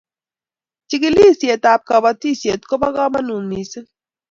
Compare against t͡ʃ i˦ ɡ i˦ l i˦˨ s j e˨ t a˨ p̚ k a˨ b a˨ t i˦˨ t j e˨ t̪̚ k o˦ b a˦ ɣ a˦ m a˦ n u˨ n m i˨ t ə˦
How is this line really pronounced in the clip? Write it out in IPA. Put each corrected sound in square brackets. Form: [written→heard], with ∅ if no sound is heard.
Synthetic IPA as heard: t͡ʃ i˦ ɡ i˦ l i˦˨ s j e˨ t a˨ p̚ k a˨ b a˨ t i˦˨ [t→s] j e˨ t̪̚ k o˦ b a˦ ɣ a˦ m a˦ n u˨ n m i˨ [t→s] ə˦